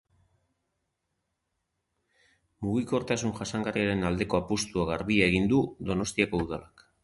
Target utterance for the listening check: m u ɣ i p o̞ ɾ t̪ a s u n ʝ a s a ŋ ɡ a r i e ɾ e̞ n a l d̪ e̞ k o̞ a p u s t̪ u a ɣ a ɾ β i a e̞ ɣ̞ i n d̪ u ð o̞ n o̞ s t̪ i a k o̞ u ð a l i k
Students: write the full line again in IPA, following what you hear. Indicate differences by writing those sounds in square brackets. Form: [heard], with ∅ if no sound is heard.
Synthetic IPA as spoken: m u ɣ i [k] o̞ ɾ t̪ a s u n ʝ a s a ŋ ɡ a r i [a] ɾ e̞ n a l d̪ e̞ k o̞ a p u s t̪ u a ɣ a ɾ β i a e̞ ɣ̞ i n d̪ u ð o̞ n o̞ s t̪ i a k o̞ u ð a l [a] k